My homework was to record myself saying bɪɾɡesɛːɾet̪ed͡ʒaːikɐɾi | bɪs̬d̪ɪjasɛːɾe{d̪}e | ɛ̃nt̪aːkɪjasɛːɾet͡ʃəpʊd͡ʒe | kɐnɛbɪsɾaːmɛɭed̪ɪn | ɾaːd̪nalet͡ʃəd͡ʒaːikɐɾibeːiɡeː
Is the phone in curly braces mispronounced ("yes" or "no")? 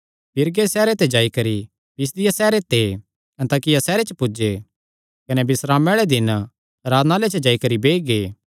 yes